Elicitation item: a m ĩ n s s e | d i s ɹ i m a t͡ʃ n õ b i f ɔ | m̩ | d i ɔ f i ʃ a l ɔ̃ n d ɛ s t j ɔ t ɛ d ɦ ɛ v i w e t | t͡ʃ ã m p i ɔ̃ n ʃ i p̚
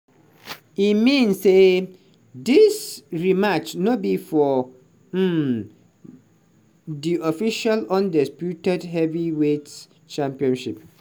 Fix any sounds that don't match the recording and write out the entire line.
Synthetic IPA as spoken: i m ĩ n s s e | d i s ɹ i m a t͡ʃ n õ b i f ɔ | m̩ | d i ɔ f i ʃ a l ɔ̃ n d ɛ s p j u t ɛ d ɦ ɛ v i w e t | t͡ʃ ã m p i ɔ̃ n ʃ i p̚

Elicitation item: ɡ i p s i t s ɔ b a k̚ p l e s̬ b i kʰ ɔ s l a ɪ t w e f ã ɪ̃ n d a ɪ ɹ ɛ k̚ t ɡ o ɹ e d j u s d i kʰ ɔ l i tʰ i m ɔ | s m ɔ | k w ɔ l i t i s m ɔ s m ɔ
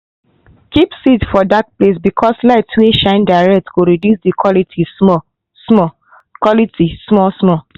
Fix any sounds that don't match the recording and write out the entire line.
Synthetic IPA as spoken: k i p s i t f ɔ d a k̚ p l e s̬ b i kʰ ɔ s l a ɪ t w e ʃ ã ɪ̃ n d a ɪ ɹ ɛ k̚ t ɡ o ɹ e d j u s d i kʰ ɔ l i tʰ i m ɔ | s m ɔ | k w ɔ l i t i s m ɔ s m ɔ

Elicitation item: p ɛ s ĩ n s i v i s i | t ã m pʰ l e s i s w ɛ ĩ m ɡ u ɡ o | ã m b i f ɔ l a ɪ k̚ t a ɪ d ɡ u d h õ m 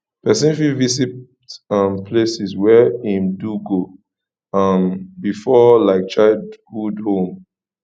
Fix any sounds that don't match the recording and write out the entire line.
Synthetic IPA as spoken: p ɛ s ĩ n f i v i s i | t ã m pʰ l e s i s w ɛ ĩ m d u ɡ o | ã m b i f ɔ l a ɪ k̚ t͡ʃ a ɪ d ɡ u d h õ m

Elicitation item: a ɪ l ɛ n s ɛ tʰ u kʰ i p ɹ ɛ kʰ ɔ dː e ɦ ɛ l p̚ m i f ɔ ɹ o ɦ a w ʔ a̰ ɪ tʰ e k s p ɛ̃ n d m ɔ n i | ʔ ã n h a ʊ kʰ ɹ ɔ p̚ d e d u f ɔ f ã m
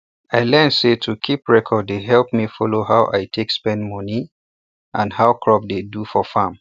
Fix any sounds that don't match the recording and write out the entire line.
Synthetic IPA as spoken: a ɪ l ɛ n s e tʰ u kʰ i p ɹ ɛ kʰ ɔ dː e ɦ ɛ l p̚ m i f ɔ l o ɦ a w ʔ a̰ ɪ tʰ e k s p ɛ̃ n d m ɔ n i | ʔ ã n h a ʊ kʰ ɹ ɔ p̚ d e d u f ɔ f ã m

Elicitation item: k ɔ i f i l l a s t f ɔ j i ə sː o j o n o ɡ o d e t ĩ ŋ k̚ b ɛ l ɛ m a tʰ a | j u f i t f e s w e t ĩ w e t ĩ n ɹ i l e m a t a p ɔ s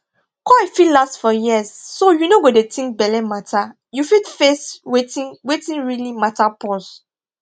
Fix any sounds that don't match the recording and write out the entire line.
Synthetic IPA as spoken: k ɔ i f i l l a s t f ɔ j i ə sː o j u n o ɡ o d e t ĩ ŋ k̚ b ɛ l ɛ m a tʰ a | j u f i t f e s w e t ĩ w e t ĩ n ɹ i l i m a t a p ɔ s

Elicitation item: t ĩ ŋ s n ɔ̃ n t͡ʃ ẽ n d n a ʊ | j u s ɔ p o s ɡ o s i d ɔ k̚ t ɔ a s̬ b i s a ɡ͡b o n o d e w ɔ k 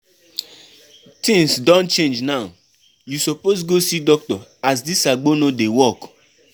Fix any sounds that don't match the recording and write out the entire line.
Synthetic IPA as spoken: t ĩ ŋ s d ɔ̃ n t͡ʃ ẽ n d͡ʒ n a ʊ | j u s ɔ p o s ɡ o s i d ɔ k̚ t ɔ a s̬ d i s a ɡ͡b o n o d e w ɔ k

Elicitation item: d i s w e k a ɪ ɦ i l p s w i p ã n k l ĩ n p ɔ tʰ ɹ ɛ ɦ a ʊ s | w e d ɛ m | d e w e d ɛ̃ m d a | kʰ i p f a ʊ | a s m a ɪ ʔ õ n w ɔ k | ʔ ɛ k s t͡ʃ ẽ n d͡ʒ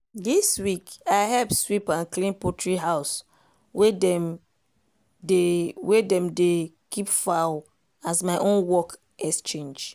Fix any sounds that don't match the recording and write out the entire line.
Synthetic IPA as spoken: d i s w i k a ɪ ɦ ɛ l p s w i p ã n k l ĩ n p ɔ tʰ ɹ i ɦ a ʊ s | w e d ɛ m | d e w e d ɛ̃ m d e | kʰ i p f a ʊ | a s m a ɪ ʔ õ n w ɔ k | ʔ ɛ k s t͡ʃ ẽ n d͡ʒ

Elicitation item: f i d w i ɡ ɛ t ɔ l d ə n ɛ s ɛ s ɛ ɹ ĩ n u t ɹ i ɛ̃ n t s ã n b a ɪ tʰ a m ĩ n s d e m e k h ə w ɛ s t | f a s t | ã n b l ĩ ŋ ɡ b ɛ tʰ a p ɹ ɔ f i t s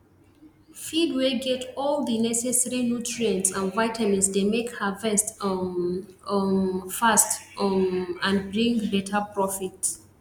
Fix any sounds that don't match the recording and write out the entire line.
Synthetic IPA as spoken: f i d w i ɡ ɛ t ɔ l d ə n ɛ s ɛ s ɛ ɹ i n u t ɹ i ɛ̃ n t s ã n v a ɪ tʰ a m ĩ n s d e m e k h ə v ɛ s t | f a s t | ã n b ɹ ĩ ŋ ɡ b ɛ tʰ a p ɹ ɔ f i t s

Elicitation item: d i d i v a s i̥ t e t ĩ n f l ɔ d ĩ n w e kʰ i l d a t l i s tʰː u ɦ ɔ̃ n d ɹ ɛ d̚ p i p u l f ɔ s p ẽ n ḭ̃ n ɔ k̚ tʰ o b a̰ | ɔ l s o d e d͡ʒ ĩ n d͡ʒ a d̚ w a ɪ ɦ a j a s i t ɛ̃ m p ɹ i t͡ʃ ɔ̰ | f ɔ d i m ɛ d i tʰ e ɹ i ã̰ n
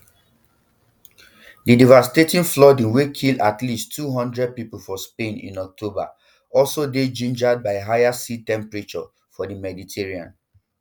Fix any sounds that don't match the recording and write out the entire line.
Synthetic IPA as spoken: d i d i v a s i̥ t e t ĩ n f l ɔ d ĩ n w e kʰ i l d a t l i s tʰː u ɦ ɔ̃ n d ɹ ɛ d̚ p i p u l f ɔ s p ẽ n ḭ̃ n ɔ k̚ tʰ o b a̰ | ɔ l s o d e d͡ʒ ĩ n d͡ʒ a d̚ b a ɪ ɦ a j a s i t ɛ̃ m p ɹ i t͡ʃ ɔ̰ | f ɔ d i m ɛ d i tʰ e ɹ i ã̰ n

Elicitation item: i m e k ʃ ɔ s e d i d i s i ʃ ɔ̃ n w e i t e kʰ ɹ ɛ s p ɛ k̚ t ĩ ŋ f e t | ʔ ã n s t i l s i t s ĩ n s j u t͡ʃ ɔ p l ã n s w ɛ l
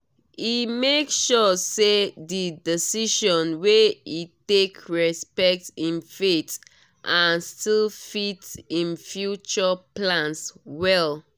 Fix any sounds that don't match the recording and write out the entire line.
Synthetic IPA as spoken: i m e k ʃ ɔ s e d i d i s i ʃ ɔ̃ n w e i t e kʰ ɹ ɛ s p ɛ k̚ t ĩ n f e t | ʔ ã n s t i l f i t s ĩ n f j u t͡ʃ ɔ p l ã n s w ɛ l

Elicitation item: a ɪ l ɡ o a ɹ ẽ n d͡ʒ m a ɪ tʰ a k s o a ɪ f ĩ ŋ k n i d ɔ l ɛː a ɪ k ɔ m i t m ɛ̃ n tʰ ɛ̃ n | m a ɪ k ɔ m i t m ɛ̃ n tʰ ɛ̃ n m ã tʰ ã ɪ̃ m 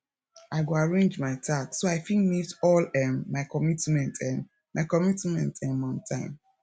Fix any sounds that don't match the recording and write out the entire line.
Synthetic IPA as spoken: a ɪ ɡ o a ɹ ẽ n d͡ʒ m a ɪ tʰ a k s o a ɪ f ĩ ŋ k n i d ɔ l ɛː a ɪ k ɔ m i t m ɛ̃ n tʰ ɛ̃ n | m a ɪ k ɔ m i t m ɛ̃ n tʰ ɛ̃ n m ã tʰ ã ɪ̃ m

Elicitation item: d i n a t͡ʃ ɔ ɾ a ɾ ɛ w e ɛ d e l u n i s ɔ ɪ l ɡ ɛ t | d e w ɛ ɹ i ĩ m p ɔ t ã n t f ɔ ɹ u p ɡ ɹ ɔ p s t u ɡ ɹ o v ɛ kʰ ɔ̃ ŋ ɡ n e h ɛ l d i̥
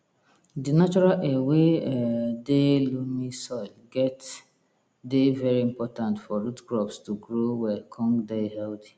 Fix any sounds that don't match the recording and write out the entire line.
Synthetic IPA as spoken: d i n a t͡ʃ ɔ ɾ a l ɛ w e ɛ d e l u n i s ɔ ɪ l ɡ ɛ t | d e v ɛ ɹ i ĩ m p ɔ t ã n t f ɔ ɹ u t ɡ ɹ ɔ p s t u ɡ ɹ o w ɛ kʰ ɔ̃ ŋ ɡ d e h ɛ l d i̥

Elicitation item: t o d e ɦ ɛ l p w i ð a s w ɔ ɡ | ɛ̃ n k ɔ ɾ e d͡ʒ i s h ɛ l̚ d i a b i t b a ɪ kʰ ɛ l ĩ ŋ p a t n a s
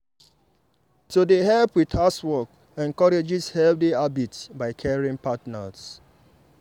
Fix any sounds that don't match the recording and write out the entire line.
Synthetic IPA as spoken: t o d e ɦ ɛ l p w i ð a s w ɔ k | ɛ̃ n k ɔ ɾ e d͡ʒ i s h ɛ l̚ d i a b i t b a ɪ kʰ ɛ ɹ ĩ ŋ p a t n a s

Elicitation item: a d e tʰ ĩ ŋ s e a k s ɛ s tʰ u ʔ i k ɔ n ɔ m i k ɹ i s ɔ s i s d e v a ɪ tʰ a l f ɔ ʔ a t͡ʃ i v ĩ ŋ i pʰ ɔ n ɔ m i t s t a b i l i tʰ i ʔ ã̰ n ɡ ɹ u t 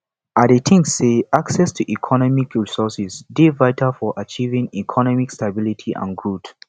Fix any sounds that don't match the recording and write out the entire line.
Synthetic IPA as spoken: a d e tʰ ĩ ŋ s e a k s ɛ s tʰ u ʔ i kʰ ɔ n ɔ m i k ɹ i s ɔ s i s d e v a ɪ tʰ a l f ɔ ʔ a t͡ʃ i v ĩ ŋ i kʰ ɔ n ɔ m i k s t a b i l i tʰ i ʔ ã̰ n ɡ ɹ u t

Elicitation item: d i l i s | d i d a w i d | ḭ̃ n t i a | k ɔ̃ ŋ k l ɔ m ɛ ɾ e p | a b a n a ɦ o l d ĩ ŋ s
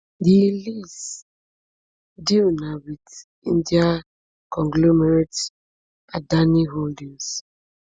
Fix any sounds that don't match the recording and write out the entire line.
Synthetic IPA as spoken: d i l i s | d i n a w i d | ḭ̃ n d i a | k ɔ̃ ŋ ɡ l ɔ m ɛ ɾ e t | a d a n i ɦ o l d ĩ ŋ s

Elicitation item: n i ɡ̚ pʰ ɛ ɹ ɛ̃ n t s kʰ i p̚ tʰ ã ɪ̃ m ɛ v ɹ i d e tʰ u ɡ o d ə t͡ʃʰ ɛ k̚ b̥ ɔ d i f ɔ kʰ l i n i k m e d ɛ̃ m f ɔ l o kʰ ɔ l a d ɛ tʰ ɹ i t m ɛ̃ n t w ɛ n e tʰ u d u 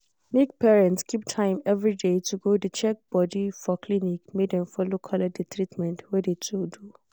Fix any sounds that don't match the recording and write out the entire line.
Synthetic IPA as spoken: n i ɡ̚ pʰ ɛ ɹ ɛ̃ n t s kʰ i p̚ tʰ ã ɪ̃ m ɛ v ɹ i d e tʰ u ɡ o d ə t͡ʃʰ ɛ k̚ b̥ ɔ d i f ɔ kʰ l i n i k m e d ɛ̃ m f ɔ l o kʰ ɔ l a d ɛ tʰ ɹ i t m ɛ̃ n t w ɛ d e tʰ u d u

